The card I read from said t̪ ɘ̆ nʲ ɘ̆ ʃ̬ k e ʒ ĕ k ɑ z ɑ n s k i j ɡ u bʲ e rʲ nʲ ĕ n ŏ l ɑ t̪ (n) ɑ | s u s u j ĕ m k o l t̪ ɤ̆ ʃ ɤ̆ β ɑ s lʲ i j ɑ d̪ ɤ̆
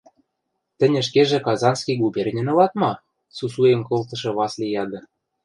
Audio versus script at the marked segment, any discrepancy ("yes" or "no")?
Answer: yes